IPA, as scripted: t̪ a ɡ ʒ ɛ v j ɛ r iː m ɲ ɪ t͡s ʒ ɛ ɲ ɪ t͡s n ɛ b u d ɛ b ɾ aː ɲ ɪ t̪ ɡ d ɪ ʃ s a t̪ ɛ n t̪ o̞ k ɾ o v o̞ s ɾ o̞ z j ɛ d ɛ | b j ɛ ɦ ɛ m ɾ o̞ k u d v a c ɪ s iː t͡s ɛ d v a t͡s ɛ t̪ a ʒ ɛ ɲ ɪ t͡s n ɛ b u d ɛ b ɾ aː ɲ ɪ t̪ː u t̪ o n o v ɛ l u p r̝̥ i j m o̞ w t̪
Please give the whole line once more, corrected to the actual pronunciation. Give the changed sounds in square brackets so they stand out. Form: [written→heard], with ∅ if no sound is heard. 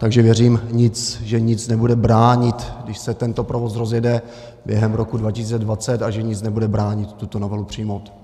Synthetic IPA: t̪ a ɡ ʒ ɛ v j ɛ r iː m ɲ ɪ t͡s ʒ ɛ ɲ ɪ t͡s n ɛ b u d ɛ b ɾ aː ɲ ɪ t̪ ɡ d ɪ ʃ s [a→ɛ] t̪ ɛ n t̪ o̞ [k→p] ɾ o v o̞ s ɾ o̞ z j ɛ d ɛ | b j ɛ ɦ ɛ m ɾ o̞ k u d v a c ɪ s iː t͡s ɛ d v a t͡s ɛ t̪ a ʒ ɛ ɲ ɪ t͡s n ɛ b u d ɛ b ɾ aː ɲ ɪ t̪ː u t̪ o n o v ɛ l u p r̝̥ i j m o̞ w t̪